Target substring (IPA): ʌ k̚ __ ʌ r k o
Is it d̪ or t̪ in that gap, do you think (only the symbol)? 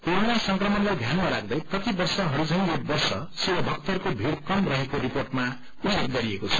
t̪